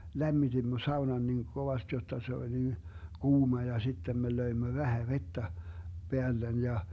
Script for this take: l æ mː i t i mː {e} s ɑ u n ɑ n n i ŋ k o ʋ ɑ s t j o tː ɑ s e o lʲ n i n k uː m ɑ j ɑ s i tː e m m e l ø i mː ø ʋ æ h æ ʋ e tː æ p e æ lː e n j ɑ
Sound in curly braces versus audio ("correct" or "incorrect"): incorrect